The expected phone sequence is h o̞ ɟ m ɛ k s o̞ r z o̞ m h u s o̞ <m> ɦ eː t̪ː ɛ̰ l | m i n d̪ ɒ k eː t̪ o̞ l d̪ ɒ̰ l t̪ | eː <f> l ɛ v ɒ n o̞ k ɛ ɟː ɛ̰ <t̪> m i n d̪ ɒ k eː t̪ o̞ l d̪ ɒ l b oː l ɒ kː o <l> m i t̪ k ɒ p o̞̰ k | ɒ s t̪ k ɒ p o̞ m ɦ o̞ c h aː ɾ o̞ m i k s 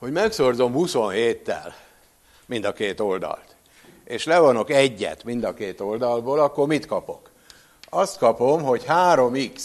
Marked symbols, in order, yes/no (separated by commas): no, no, yes, no